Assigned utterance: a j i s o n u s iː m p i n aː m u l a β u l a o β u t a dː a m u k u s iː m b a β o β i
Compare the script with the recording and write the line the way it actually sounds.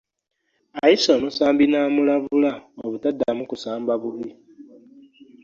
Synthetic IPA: a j i s o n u s aː m b i n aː m u l a β u l a o β u t a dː a m u k u s aː m b a β u β i